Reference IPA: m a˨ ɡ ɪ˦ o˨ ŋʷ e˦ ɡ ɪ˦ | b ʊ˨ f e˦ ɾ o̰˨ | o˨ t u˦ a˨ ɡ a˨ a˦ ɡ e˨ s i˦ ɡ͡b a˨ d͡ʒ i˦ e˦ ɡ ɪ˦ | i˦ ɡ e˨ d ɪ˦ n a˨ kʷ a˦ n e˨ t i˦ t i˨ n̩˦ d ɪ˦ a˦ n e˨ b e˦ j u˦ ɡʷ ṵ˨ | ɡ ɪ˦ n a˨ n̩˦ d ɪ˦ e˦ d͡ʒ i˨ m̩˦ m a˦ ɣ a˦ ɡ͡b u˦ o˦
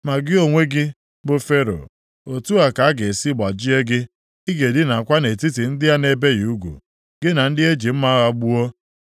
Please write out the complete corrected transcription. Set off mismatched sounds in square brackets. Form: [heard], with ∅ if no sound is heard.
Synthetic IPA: m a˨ ɡ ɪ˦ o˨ ŋʷ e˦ ɡ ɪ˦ | b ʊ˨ f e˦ ɾ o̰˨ | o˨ t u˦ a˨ [k] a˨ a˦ ɡ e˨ s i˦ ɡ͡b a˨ d͡ʒ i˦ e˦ ɡ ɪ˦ | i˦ ɡ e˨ d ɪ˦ n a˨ kʷ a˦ n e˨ t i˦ t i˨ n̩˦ d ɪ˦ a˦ n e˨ b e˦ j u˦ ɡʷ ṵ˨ | ɡ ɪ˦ n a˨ n̩˦ d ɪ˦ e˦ d͡ʒ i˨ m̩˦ m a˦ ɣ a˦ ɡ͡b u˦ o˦